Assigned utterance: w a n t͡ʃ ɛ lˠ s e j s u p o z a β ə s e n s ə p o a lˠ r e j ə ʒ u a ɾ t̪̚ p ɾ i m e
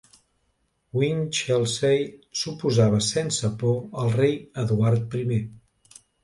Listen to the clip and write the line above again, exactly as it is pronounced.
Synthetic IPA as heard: w i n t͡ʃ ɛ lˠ s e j s u p u z a β ə s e n s ə p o ə lˠ r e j ə ð u a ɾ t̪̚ p ɾ i m e